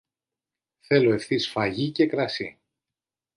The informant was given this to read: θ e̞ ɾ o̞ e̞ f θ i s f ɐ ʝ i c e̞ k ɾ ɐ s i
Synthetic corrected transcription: θ e̞ l o̞ e̞ f θ i s f ɐ ʝ i c e̞ k ɾ ɐ s i